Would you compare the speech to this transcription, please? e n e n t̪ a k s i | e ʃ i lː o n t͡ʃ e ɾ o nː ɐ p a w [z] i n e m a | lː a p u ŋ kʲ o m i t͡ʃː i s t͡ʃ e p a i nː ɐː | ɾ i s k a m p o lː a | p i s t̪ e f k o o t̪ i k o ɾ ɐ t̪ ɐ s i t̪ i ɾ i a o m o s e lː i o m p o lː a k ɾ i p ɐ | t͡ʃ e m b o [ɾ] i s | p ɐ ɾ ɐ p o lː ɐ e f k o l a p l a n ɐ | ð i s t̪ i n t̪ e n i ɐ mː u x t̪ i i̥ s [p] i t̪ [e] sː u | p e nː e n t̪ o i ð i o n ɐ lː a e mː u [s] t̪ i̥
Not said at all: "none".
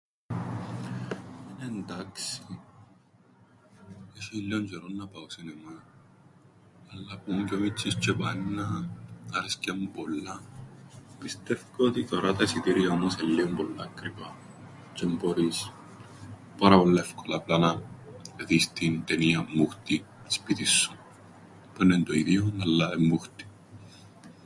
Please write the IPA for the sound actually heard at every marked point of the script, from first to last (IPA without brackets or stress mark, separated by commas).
s, ɾ, p, i, x